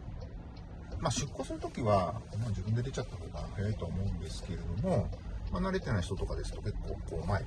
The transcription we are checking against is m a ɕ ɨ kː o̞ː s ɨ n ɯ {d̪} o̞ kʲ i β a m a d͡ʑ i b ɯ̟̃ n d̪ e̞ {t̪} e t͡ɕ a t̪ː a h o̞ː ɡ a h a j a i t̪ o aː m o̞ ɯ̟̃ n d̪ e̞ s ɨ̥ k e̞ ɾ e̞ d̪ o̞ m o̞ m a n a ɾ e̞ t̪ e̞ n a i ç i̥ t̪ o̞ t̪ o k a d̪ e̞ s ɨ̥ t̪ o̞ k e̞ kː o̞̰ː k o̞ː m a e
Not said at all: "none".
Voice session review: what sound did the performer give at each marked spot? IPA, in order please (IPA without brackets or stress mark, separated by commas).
t̪, d̪